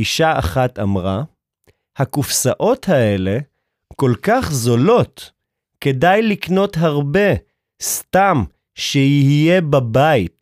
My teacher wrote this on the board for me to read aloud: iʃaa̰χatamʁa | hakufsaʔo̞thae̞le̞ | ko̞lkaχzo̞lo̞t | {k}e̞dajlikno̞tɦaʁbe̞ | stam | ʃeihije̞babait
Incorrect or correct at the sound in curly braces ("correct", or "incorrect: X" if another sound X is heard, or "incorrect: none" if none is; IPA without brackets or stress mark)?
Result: correct